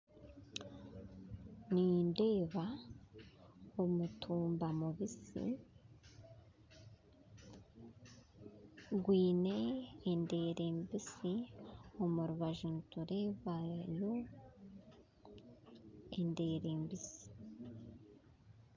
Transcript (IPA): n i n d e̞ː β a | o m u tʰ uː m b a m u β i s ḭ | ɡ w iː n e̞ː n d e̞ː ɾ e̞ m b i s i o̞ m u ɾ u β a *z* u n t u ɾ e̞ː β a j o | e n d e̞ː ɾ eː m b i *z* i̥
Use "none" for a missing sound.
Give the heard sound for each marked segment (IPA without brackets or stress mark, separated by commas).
ʒ, s